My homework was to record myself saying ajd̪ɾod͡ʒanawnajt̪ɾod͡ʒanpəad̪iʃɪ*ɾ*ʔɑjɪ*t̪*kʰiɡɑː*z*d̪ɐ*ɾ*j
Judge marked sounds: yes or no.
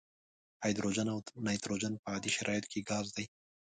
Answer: yes, yes, yes, no

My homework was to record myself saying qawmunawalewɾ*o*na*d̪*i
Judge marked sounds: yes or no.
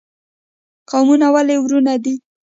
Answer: no, yes

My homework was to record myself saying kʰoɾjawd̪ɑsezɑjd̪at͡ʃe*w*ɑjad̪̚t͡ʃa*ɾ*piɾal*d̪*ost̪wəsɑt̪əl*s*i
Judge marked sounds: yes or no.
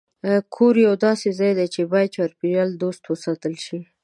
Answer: no, yes, yes, no

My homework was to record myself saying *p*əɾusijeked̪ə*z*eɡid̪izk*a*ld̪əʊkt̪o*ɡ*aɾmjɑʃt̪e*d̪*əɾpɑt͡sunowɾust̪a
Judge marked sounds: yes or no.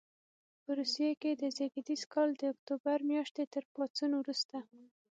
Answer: yes, yes, no, no, no

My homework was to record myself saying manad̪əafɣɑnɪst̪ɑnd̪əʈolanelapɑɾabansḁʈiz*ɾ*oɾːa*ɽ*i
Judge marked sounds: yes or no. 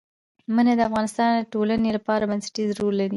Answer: yes, no

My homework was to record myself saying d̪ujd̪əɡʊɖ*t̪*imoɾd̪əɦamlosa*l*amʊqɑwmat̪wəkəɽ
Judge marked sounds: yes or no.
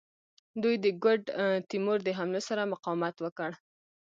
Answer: yes, no

